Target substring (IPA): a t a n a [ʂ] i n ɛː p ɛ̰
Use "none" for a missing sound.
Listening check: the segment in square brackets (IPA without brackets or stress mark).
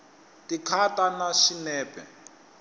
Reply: ʃ